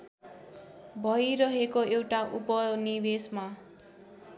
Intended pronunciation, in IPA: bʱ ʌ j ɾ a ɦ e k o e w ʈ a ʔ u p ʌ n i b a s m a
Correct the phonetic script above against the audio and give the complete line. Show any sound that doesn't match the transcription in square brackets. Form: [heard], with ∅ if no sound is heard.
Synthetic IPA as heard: bʱ ʌ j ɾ [ʌ] ɦ e k o e w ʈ a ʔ u p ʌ n i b [e] s m a